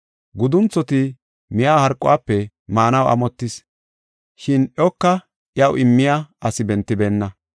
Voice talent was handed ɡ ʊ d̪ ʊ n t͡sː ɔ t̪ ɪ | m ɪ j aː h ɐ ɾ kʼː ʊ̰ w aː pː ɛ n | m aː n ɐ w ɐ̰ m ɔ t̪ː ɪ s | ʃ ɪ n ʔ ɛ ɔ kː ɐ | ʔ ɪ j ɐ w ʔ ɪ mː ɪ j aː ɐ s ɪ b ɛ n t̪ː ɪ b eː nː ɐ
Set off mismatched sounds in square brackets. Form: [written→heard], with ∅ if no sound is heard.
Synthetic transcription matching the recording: ɡ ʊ d̪ ʊ n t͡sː ɔ t̪ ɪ | m ɪ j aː h ɐ ɾ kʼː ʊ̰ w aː pː ɛ [n→∅] | m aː n ɐ w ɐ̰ m ɔ t̪ː ɪ s | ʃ ɪ n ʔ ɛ ɔ kː ɐ | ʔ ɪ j ɐ w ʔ ɪ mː ɪ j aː ɐ s ɪ b ɛ n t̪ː ɪ b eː nː ɐ